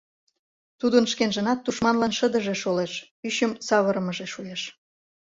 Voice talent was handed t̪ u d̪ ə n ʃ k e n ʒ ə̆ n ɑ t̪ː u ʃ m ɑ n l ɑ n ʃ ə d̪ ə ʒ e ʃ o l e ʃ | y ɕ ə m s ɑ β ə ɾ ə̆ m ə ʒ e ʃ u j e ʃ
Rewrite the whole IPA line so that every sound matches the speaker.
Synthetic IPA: t̪ u d̪ ə n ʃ k e n ʒ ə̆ n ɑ t̪ː u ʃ m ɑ n l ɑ n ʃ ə d̪ ə ʒ e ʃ o l e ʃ | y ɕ ə m s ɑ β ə ɾ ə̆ m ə ʒ e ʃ u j e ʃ